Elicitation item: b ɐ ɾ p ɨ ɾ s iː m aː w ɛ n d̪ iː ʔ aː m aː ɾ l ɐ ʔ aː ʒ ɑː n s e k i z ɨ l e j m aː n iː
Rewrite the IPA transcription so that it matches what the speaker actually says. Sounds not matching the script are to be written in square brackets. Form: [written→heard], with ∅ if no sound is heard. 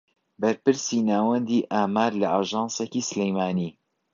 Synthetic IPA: b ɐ ɾ p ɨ ɾ s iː [m→n] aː w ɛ n d̪ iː ʔ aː m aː ɾ l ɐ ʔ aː ʒ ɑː n s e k i [z→s] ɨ l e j m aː n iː